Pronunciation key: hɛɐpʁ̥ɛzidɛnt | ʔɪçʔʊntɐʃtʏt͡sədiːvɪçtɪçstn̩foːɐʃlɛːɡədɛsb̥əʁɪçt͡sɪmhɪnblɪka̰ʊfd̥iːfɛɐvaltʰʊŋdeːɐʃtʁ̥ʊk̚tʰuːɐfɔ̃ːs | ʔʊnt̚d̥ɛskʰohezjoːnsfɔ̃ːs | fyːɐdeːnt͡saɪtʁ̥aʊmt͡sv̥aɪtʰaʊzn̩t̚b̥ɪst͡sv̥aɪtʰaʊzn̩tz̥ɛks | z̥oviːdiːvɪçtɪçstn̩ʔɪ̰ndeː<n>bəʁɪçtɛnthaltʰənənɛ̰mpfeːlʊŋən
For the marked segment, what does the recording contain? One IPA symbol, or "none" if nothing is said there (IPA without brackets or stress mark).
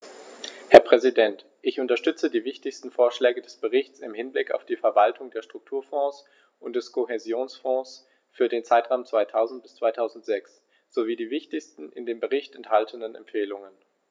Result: m